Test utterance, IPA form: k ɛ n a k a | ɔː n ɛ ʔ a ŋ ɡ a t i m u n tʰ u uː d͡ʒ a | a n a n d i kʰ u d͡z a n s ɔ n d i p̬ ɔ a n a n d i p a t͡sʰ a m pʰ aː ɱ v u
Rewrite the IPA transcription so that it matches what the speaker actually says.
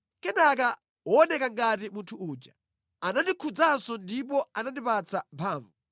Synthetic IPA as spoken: k ɛ n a k a | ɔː n ɛ k a ŋ ɡ a t i m u n tʰ u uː d͡ʒ a | a n a n d i kʰ u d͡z a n s ɔ n d i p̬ ɔ a n a n d i p a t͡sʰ a m pʰ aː ɱ v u